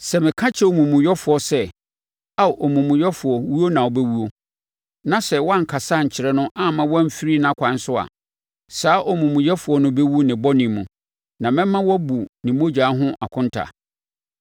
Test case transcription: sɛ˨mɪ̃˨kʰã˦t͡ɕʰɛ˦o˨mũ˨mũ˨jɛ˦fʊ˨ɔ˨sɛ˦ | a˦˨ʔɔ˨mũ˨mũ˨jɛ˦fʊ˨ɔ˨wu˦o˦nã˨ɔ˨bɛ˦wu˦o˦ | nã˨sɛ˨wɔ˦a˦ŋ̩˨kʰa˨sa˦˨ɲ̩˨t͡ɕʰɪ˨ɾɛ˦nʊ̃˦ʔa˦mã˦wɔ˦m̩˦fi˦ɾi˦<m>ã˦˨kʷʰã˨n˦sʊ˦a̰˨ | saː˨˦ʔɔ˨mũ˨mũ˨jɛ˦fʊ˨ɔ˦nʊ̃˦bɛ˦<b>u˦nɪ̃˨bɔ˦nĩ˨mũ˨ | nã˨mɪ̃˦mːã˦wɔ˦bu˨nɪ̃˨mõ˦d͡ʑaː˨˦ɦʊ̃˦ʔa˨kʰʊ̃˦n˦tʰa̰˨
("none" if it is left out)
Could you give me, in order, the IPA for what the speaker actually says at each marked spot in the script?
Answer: n, w

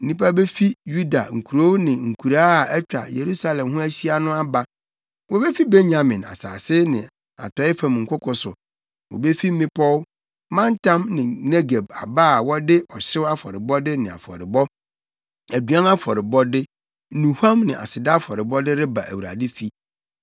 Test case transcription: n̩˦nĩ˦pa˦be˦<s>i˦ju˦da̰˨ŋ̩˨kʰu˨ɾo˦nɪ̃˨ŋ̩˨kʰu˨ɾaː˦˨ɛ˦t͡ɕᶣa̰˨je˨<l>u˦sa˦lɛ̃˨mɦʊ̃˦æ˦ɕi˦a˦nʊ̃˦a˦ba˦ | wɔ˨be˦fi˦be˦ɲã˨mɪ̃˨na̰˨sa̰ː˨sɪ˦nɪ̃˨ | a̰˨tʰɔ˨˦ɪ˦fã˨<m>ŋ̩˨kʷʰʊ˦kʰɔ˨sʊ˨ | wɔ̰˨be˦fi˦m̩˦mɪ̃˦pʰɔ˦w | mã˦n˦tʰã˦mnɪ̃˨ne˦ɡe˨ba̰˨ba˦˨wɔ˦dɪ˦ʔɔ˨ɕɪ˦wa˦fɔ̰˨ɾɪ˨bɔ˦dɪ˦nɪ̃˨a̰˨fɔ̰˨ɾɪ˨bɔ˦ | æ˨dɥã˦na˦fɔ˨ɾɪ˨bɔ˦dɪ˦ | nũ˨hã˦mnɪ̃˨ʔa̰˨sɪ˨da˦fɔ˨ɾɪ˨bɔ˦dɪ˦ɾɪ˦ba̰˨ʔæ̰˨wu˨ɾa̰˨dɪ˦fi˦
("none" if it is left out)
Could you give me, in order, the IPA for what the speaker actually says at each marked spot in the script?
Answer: f, ɾ, m

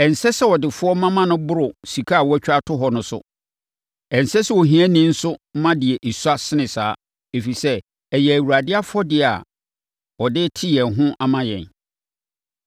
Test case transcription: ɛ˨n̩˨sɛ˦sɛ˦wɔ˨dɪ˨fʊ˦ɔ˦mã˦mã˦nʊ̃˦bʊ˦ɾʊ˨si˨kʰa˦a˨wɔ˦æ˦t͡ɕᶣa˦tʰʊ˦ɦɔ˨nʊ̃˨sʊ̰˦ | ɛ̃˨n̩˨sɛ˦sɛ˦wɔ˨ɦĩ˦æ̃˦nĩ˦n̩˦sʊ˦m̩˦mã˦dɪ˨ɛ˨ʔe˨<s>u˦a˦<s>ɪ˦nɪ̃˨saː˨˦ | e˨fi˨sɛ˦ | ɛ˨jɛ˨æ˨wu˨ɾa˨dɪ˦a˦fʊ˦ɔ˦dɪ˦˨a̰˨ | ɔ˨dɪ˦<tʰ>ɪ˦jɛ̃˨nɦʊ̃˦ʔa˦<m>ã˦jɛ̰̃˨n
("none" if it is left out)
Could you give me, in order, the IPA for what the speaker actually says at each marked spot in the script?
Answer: s, s, tʰ, m

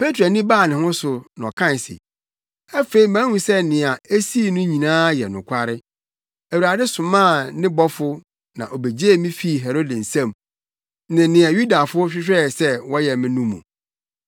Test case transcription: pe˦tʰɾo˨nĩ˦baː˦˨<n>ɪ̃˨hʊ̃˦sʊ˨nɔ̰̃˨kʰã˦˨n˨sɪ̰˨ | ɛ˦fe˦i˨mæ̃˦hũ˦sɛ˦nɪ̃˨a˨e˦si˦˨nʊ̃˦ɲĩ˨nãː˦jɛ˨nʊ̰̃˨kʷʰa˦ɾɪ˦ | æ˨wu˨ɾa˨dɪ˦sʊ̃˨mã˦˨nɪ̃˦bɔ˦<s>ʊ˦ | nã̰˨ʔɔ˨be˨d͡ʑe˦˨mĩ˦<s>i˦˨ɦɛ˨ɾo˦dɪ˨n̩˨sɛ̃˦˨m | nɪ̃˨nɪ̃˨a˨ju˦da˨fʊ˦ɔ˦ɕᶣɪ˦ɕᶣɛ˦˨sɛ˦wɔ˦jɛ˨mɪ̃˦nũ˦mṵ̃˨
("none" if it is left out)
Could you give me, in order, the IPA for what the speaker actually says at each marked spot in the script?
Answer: n, f, f

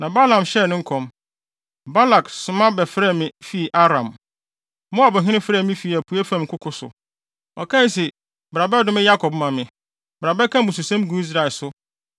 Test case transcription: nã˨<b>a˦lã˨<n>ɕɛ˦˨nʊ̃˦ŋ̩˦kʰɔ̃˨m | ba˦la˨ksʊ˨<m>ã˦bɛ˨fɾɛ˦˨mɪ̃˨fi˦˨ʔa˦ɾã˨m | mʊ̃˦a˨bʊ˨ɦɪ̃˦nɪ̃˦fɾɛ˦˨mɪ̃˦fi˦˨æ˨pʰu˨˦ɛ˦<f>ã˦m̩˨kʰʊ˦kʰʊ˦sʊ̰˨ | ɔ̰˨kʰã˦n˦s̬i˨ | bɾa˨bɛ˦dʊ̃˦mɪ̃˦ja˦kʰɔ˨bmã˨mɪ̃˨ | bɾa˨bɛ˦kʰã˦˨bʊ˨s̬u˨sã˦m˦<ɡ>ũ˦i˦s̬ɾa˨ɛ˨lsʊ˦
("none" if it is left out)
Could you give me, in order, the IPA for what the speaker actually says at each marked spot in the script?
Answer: b, m, m, f, ɡ

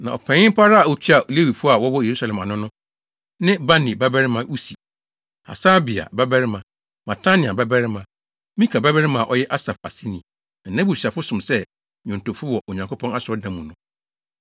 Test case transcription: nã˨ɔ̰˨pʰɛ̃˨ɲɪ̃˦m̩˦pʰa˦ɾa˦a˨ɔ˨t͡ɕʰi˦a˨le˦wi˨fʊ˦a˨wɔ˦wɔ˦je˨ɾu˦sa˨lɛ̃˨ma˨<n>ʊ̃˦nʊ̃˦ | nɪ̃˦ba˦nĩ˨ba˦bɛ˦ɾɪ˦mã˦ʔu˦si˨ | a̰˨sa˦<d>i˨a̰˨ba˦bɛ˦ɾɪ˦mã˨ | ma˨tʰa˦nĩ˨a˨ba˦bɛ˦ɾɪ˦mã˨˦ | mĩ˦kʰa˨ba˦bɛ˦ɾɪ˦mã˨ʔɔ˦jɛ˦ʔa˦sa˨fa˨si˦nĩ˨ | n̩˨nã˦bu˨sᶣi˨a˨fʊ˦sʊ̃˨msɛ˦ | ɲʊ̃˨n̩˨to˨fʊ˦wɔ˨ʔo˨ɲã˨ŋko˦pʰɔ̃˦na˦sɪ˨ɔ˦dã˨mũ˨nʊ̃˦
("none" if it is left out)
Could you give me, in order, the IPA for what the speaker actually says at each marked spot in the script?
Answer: n, b

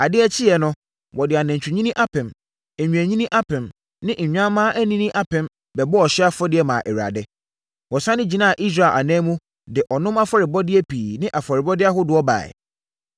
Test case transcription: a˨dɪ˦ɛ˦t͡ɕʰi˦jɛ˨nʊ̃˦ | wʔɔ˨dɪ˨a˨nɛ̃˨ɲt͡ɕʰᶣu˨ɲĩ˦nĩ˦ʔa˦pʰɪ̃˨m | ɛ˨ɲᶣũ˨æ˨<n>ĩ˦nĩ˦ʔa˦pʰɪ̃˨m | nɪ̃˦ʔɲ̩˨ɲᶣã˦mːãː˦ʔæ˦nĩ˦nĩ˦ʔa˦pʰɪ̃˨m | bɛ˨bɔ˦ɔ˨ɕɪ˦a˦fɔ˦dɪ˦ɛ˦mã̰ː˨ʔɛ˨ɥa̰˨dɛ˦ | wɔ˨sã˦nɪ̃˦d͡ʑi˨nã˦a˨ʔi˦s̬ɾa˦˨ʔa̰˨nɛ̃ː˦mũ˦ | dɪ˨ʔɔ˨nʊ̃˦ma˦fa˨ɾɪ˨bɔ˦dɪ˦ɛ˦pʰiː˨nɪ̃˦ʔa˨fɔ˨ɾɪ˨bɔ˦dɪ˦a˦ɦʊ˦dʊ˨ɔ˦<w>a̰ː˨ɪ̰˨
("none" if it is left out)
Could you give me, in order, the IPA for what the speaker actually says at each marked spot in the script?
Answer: ɲ, b

